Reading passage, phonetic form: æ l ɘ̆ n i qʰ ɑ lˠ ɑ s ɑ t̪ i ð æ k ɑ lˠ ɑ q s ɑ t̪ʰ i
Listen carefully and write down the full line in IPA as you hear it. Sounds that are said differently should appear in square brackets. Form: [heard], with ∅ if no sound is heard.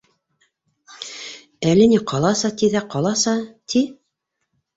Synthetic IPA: æ l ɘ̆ n i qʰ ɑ lˠ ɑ s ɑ t̪ i ð æ [q] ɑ lˠ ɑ [∅] s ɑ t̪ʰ i